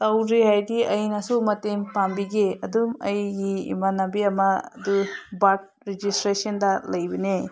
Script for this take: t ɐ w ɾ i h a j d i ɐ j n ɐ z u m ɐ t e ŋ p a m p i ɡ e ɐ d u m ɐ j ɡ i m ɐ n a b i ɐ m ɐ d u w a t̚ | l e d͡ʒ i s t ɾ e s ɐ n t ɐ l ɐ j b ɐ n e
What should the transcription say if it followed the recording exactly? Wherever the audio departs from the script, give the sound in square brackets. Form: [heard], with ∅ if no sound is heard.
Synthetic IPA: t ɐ w ɾ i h a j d i ɐ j n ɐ [s] u m ɐ t e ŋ p a m [b] i ɡ e ɐ d u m ɐ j ɡ i m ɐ n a b i ɐ m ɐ d u [b] a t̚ | [ɾ] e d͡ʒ i s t ɾ e s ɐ n [d] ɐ l ɐ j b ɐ n e